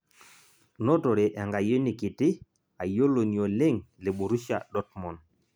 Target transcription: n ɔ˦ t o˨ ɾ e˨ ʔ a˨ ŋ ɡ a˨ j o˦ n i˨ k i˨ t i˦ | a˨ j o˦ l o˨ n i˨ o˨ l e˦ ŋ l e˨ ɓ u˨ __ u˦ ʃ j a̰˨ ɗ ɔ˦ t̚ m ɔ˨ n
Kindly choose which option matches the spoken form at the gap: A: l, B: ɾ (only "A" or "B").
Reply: B